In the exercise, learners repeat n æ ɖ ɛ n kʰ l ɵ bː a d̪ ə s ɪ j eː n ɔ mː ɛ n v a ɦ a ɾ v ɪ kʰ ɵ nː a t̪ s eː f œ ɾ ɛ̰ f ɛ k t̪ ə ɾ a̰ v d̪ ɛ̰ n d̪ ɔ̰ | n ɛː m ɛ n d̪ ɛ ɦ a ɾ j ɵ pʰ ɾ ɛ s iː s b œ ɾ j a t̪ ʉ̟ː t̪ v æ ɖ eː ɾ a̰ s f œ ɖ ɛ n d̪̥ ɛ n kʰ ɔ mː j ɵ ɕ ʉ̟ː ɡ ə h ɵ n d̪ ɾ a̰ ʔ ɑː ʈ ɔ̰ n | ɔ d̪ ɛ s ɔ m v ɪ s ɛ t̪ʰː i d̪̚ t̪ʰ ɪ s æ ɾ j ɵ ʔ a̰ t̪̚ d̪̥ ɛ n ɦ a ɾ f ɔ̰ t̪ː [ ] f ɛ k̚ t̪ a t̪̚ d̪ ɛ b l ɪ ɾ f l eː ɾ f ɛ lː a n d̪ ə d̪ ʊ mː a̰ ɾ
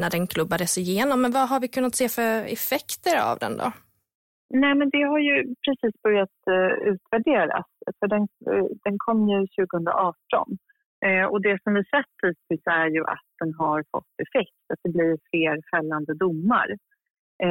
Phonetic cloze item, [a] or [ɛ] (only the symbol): ɛ